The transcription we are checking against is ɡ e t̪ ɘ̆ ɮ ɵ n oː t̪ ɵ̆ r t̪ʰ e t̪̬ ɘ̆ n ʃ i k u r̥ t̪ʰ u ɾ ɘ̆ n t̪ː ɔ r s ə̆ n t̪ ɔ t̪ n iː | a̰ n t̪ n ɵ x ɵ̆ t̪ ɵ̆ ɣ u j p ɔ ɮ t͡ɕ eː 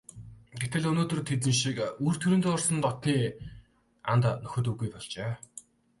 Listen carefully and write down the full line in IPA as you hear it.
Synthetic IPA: ɡ e t̪ ɘ̆ ɮ ɵ n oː t̪ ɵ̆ r t̪ʰ e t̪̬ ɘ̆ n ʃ i k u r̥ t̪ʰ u ɾ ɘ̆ n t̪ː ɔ r s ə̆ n t̪ ɔ t̪ n iː | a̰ n t̪ n ɵ x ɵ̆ t̪ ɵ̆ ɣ u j p ɔ ɮ t͡ɕ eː